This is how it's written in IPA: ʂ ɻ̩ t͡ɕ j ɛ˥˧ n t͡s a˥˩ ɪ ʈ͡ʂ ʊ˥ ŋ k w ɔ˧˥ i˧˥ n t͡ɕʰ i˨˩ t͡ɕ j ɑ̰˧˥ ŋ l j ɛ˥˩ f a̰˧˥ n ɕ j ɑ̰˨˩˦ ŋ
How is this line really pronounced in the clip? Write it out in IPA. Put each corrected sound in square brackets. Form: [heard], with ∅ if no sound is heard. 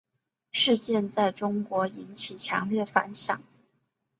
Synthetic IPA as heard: ʂ ɻ̩ t͡ɕ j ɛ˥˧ n t͡s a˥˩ ɪ ʈ͡ʂ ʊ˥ ŋ k w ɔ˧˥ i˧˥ n t͡ɕʰ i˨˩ [t͡ɕʰ] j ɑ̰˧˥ ŋ l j ɛ˥˩ f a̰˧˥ n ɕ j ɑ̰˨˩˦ ŋ

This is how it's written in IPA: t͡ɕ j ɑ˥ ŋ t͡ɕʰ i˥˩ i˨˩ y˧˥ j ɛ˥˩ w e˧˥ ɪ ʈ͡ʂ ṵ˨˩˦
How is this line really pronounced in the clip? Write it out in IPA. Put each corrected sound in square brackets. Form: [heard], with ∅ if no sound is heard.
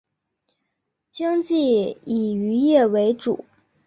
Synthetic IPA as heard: t͡ɕ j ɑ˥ ŋ [t͡ɕ] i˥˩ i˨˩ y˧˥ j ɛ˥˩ w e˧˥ ɪ ʈ͡ʂ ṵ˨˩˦

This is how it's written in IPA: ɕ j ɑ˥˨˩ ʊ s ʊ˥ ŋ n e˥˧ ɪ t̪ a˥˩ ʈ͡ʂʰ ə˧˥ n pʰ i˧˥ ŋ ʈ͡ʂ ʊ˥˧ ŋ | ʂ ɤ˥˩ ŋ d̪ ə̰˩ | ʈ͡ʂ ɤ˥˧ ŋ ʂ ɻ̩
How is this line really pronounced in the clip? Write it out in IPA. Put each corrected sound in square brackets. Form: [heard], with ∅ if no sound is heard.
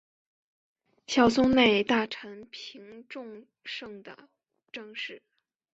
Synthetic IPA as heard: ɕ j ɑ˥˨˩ ʊ s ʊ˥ ŋ n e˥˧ ɪ t̪ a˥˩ ʈ͡ʂʰ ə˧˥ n pʰ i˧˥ ŋ ʈ͡ʂ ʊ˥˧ ŋ | ʂ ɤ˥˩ ŋ d̪ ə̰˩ | ʈ͡ʂ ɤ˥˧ ŋ ʂ ɻ̩

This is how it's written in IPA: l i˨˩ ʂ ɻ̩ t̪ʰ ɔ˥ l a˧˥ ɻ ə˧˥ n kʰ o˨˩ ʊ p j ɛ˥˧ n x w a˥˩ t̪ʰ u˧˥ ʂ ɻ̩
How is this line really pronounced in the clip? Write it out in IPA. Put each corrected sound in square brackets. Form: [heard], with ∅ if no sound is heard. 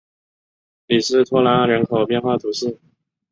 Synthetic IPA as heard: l i˨˩ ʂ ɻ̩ t̪ʰ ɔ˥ l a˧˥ ɻ ə˧˥ n kʰ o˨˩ ʊ p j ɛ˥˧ n x w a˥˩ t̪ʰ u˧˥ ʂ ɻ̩

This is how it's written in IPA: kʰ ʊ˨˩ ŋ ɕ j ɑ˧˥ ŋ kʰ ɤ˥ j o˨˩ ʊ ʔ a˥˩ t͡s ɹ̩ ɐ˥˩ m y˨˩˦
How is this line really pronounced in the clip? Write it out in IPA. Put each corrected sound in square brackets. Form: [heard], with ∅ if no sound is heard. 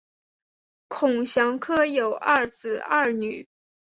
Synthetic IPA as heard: kʰ ʊ˨˩ ŋ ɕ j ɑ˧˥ ŋ kʰ ɤ˥ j o˨˩ ʊ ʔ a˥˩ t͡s ɹ̩ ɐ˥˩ [n] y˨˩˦

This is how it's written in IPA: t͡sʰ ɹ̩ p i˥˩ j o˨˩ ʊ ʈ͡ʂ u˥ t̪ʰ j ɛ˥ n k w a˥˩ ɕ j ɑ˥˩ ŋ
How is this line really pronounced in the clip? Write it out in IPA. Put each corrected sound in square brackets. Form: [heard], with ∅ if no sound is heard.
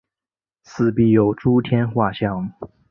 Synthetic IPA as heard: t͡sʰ ɹ̩ p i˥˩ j o˨˩ ʊ ʈ͡ʂ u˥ t̪ʰ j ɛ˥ n [x] w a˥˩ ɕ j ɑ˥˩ ŋ

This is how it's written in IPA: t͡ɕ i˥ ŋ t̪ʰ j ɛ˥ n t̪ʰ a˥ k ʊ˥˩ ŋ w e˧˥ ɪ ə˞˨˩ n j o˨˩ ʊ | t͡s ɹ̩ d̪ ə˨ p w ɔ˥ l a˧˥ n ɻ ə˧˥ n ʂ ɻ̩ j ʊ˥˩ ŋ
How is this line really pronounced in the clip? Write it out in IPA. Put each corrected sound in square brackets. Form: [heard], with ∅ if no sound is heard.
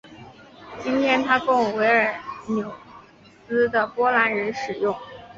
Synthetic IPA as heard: t͡ɕ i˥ [n] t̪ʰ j ɛ˥ n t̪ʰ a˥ k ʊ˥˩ ŋ w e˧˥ ɪ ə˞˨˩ n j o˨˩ ʊ | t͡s ɹ̩ d̪ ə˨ p w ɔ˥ l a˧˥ n ɻ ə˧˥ n ʂ ɻ̩ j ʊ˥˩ ŋ

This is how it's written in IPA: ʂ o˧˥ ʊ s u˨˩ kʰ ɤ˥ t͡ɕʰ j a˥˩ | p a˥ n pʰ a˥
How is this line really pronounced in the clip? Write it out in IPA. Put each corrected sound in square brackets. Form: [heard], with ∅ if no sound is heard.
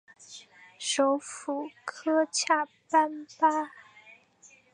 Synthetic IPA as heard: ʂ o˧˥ ʊ [f] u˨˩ kʰ ɤ˥ t͡ɕʰ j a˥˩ | p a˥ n [p] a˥

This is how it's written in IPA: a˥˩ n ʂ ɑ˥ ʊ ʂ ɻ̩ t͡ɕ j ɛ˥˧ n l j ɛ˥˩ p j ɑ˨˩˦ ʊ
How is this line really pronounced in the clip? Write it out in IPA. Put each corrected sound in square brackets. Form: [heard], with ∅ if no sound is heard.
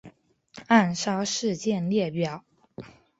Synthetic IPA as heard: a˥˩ n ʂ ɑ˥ ʊ ʂ ɻ̩ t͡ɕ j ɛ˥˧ n l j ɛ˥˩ p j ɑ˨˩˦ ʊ

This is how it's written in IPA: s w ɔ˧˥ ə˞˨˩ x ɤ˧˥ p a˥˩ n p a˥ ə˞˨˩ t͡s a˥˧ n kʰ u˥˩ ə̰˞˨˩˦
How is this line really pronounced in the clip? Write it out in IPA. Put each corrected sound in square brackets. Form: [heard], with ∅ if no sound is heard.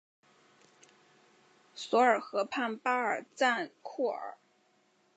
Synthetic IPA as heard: s w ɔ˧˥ ə˞˨˩ x ɤ˧˥ [pʰ] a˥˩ n p a˥ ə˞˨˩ t͡s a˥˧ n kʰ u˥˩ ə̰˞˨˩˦

